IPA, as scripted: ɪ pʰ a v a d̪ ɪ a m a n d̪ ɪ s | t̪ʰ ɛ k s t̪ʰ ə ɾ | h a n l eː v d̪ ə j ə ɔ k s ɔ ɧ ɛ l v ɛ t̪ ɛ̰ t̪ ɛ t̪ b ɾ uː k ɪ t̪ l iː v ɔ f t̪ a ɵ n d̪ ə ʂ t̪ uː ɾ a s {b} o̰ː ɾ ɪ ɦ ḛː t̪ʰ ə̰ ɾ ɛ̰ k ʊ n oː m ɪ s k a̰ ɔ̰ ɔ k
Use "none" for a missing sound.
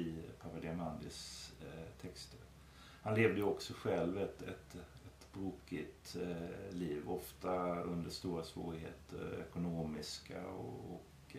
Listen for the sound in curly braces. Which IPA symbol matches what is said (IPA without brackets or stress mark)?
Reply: v